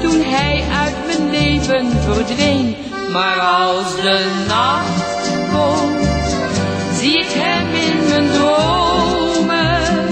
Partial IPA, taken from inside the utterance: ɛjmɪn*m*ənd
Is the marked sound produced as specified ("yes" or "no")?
yes